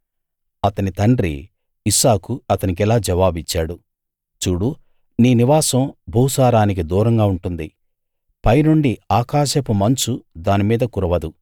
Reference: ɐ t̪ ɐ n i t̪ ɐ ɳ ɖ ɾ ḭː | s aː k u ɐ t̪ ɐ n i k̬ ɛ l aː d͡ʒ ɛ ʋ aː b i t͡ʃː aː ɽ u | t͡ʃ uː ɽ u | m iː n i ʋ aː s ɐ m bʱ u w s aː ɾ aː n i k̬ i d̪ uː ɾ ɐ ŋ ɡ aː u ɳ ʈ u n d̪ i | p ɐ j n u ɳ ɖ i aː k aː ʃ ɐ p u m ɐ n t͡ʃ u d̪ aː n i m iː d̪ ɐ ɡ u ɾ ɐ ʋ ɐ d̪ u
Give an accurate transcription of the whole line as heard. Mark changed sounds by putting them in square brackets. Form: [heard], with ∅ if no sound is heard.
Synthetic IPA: ɐ t̪ ɐ n i t̪ ɐ ɳ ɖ ɾ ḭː | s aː k u ɐ t̪ ɐ n i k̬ ɛ l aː d͡ʒ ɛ ʋ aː b i t͡ʃː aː ɽ u | t͡ʃ uː ɽ u | [n] iː n i ʋ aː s ɐ m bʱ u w s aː ɾ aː n i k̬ i d̪ uː ɾ ɐ ŋ ɡ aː u ɳ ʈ u n d̪ i | p ɐ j n u ɳ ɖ i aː k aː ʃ ɐ p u m ɐ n t͡ʃ u d̪ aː n i m iː d̪ ɐ [k] u ɾ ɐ ʋ ɐ d̪ u